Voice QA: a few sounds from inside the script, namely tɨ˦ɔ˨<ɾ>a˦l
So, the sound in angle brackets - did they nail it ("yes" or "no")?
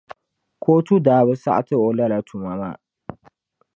no